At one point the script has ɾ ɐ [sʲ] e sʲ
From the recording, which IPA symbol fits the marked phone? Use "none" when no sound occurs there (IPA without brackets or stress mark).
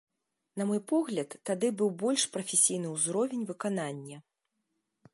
fʲ